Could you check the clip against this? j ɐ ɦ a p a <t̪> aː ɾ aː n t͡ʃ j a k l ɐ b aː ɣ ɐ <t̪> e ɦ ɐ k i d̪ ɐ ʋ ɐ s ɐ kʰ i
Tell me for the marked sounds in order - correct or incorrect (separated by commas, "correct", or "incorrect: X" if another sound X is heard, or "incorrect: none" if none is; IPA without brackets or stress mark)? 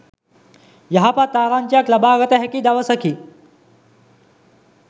correct, correct